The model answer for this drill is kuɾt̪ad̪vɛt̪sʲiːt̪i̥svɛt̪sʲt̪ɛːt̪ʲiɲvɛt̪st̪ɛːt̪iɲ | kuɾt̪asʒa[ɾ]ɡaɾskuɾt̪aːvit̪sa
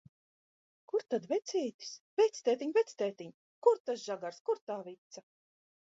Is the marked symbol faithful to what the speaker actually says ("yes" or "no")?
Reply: no